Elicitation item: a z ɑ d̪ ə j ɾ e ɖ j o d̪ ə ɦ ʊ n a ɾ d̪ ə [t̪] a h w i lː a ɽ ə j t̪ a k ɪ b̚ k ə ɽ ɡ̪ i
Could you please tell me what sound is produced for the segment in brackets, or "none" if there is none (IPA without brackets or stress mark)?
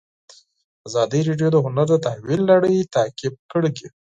t̪